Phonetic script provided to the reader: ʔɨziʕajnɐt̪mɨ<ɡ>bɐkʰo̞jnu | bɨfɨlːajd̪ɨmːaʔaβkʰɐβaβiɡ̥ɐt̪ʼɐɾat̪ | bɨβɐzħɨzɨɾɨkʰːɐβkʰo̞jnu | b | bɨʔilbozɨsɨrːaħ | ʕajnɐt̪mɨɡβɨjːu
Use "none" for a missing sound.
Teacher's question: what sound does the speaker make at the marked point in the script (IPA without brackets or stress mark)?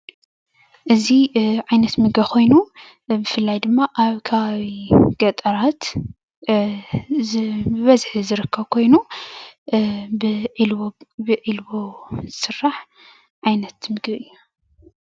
ɡ